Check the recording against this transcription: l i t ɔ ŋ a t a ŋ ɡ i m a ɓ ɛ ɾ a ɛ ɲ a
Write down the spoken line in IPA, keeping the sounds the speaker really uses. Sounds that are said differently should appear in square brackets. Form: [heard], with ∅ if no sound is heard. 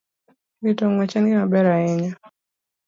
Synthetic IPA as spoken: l i t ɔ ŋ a [t͡ʃ] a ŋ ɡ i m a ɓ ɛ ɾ a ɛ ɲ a